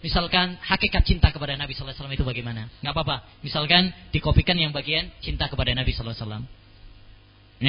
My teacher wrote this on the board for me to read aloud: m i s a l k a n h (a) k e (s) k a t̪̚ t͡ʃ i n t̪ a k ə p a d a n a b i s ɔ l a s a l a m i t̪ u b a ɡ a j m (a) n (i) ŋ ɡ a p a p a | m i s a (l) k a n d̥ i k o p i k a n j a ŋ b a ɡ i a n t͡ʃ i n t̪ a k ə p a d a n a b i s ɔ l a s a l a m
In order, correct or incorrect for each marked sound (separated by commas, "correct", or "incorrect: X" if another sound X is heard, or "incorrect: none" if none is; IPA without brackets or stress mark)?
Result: correct, incorrect: none, correct, incorrect: a, correct